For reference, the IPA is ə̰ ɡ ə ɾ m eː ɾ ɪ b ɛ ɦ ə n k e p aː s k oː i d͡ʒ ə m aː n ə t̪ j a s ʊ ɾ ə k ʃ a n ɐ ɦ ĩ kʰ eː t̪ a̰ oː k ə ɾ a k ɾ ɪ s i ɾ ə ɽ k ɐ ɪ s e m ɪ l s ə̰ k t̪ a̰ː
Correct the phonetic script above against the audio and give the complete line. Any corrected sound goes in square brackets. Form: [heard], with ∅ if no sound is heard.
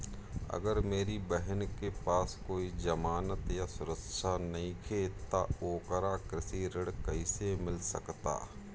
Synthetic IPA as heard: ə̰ ɡ ə ɾ m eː ɾ [i] b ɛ ɦ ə n k e p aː s k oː i d͡ʒ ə m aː n ə t̪ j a s ʊ ɾ ə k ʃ a n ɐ ɦ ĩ kʰ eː t̪ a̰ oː k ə ɾ a k ɾ ɪ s i ɾ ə ɽ k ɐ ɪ s e m ɪ l s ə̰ k t̪ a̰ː

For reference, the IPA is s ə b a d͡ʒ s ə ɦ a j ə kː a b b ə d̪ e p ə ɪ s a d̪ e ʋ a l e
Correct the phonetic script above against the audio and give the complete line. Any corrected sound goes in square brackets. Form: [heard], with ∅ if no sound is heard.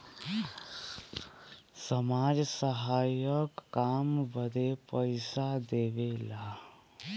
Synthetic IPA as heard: s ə [m] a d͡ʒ s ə ɦ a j ə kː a [m] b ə d̪ e p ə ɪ s a d̪ e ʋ [e] l [a]

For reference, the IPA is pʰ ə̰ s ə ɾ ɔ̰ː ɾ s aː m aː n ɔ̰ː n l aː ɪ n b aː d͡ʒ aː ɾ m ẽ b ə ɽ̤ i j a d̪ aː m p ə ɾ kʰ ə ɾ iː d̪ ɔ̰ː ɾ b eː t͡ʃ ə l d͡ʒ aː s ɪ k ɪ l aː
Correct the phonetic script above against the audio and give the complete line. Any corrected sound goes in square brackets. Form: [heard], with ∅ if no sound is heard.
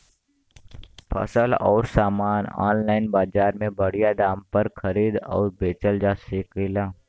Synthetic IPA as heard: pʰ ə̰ s ə [l] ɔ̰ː ɾ s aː m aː n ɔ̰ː n l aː ɪ n b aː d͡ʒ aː ɾ m ẽ b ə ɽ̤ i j a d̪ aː m p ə ɾ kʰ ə ɾ iː d̪ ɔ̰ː ɾ b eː t͡ʃ ə l d͡ʒ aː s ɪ k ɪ l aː

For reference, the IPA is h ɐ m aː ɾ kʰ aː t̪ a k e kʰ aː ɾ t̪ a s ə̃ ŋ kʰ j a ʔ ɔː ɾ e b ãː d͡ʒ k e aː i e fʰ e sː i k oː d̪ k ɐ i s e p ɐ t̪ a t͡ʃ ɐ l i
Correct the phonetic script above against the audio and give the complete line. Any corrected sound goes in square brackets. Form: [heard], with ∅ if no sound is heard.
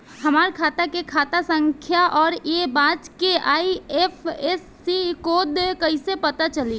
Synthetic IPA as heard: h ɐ m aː ɾ kʰ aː t̪ a k e kʰ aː [∅] t̪ a s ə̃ ŋ kʰ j a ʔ ɔː ɾ e b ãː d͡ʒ k e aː i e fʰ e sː i k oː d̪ k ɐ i s e p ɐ t̪ a t͡ʃ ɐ l i

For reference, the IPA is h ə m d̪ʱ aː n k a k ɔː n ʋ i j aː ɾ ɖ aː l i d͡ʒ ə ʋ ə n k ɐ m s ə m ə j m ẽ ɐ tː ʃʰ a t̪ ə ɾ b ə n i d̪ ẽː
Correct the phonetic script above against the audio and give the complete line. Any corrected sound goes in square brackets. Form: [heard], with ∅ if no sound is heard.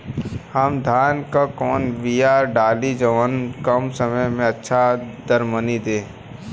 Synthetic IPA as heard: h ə m d̪ʱ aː n k a k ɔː n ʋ i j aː ɾ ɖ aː l i d͡ʒ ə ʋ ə n k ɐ m s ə m ə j m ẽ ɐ tː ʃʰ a [d̪] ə ɾ [m] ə n i d̪ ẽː

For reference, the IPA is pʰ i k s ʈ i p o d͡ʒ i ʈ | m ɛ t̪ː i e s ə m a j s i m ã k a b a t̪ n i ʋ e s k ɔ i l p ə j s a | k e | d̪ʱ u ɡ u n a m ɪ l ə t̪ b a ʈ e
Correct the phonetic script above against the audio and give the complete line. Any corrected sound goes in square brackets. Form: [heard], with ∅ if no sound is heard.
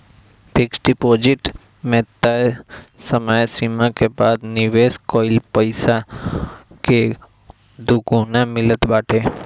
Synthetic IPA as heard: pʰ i k s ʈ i p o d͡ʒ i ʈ | m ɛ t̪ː [a] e s ə m a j s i m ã k [e] b a [d̪] n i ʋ e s k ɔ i l p ə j s a | k e | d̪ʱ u ɡ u n a m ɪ l ə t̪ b a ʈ e

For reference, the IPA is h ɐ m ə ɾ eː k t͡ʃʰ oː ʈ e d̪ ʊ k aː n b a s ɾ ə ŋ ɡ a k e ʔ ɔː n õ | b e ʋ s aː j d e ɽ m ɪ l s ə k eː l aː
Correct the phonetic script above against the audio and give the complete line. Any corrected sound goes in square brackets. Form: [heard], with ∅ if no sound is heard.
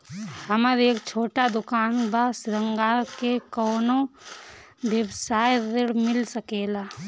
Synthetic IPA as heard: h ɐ m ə ɾ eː k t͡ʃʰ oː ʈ [a] d̪ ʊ k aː n b a s ɾ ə ŋ ɡ a k e [k] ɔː n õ | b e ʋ s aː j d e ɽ m ɪ l s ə k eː l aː

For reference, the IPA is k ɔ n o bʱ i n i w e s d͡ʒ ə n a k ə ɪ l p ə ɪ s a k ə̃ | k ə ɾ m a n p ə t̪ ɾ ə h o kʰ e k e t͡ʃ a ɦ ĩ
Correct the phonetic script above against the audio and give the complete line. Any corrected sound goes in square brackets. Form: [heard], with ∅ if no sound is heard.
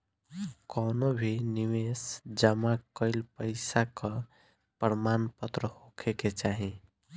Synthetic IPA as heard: k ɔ n o bʱ i n i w e s d͡ʒ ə [m] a k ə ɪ l p ə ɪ s a k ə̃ | [p] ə ɾ m a n p ə t̪ ɾ ə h o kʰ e k e t͡ʃ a ɦ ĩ

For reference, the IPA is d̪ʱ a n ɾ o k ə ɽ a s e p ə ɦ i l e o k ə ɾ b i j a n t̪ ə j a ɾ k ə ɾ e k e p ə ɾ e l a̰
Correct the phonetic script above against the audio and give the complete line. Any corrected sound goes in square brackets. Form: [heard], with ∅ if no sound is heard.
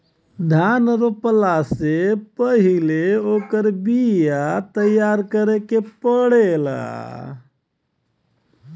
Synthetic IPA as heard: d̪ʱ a n ɾ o [p] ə [l] a s e p ə ɦ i l e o k ə ɾ b i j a [∅] t̪ ə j a ɾ k ə ɾ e k e p ə [ɽ] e l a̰

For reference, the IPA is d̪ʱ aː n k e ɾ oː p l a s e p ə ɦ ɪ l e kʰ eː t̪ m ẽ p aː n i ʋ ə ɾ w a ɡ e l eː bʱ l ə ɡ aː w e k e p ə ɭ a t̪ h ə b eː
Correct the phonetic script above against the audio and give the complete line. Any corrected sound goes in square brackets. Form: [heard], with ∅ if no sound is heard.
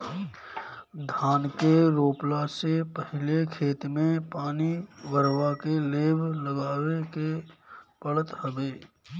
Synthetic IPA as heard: d̪ʱ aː n k e ɾ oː p l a s e p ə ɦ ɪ l e kʰ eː t̪ m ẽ p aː n i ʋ ə ɾ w a [k] e l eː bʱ l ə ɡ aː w e k e p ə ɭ [ə] t̪ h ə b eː

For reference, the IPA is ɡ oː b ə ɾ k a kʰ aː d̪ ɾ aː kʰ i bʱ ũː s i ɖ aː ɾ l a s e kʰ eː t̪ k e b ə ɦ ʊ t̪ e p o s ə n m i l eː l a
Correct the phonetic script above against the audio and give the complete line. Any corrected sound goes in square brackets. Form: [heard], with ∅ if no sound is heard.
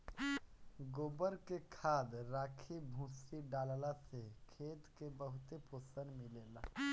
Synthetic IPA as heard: ɡ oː b ə ɾ k [e] kʰ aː d̪ ɾ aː kʰ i bʱ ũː s i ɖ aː [l] l a s e kʰ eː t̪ k e b ə ɦ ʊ t̪ e p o s ə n m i l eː l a

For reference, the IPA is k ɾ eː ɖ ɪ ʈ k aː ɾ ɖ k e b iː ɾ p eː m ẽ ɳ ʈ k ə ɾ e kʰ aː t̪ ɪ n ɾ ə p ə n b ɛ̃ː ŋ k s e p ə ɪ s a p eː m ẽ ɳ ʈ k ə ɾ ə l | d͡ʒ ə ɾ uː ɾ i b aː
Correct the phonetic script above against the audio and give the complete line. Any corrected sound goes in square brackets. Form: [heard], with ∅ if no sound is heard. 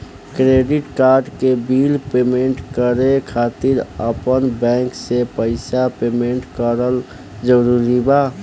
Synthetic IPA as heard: k ɾ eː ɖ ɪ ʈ k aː ɾ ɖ k e b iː [l] p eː m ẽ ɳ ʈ k ə ɾ e kʰ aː t̪ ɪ [∅] ɾ ə p ə n b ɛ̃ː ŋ k s e p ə ɪ s a p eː m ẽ ɳ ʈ k ə ɾ ə l | d͡ʒ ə ɾ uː ɾ i b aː

